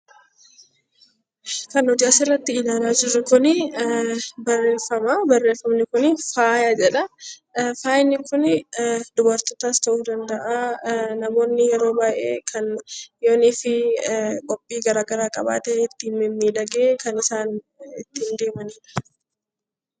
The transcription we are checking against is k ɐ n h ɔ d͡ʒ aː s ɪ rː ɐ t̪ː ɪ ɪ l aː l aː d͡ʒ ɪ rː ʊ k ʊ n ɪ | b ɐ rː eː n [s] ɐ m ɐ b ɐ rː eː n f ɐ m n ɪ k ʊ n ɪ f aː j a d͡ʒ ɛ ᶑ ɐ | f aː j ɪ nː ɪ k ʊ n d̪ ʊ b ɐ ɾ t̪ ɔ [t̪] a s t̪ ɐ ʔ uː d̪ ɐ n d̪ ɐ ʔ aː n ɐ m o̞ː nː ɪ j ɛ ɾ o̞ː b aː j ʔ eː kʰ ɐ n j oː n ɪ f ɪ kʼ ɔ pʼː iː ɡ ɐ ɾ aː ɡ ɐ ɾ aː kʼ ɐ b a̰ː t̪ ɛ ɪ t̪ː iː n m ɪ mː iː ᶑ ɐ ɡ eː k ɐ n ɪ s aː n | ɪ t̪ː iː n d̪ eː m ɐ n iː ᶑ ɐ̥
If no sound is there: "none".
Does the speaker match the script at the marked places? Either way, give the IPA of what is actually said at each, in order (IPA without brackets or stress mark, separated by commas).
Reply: f, t̪